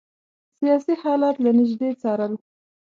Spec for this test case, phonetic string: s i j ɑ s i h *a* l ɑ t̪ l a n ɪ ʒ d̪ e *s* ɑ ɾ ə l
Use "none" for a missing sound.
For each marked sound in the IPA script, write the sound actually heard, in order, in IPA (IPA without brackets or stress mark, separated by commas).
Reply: ɑ, t͡s